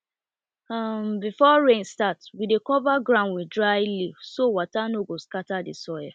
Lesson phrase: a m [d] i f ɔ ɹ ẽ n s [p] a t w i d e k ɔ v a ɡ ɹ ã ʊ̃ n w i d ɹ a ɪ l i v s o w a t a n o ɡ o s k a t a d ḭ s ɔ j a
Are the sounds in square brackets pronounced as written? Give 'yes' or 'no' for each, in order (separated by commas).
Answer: no, no